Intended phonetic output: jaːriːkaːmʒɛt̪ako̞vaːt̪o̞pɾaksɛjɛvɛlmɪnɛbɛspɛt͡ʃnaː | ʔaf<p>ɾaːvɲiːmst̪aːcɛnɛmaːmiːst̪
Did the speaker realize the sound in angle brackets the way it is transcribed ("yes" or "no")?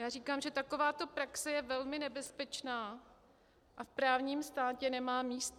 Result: yes